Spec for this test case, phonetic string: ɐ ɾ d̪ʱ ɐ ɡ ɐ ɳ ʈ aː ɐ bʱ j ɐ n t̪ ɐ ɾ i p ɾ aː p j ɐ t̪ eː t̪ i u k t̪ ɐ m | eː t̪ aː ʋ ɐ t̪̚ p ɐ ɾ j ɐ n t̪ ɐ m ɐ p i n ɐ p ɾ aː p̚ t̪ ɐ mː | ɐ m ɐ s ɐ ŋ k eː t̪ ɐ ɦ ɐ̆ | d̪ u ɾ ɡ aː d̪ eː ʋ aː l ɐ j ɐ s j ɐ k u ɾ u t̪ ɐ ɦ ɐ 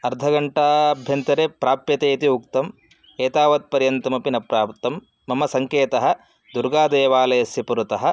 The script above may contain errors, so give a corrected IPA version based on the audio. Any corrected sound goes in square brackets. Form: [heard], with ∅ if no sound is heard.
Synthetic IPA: ɐ ɾ d̪ʱ ɐ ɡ ɐ ɳ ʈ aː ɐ bʱ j ɐ n t̪ ɐ ɾ [e] p ɾ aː p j ɐ t̪ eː t̪ i u k t̪ ɐ m | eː t̪ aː ʋ ɐ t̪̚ p ɐ ɾ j ɐ n t̪ ɐ m ɐ p i n ɐ p ɾ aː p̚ t̪ ɐ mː | ɐ m ɐ s ɐ ŋ k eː t̪ ɐ ɦ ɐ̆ | d̪ u ɾ ɡ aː d̪ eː ʋ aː l ɐ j ɐ s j ɐ [p] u ɾ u t̪ ɐ ɦ ɐ